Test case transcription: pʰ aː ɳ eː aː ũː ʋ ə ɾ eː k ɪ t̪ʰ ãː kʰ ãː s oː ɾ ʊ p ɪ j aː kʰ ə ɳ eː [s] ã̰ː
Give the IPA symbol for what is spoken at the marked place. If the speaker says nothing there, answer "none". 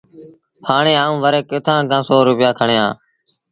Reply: none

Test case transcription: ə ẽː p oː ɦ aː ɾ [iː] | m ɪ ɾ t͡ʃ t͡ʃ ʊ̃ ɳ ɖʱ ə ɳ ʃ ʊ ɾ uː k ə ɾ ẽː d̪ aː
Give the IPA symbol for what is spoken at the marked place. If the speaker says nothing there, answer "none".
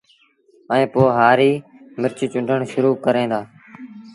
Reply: iː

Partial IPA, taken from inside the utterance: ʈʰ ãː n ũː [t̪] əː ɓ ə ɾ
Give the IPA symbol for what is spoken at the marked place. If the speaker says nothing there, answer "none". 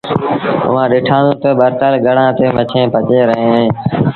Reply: t̪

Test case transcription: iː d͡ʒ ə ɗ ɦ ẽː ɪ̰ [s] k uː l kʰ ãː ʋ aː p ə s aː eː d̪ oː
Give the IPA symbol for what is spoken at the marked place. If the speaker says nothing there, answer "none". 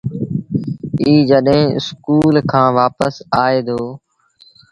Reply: s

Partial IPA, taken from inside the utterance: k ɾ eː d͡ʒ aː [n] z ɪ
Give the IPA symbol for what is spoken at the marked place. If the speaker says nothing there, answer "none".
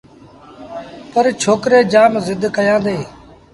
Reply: m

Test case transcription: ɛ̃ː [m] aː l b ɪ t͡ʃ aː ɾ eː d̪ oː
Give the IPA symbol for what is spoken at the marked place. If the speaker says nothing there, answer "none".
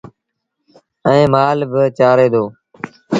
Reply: m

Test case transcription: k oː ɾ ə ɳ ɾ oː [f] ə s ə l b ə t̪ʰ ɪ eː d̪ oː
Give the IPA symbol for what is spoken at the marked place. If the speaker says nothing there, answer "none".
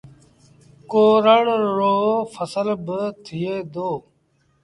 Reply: f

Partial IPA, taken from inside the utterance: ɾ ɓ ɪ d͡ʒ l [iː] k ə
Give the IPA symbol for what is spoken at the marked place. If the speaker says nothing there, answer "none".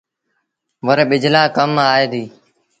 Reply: aː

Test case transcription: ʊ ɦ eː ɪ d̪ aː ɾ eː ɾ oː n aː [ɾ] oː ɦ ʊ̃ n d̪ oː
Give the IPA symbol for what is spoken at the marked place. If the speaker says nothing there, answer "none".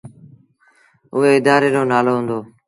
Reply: l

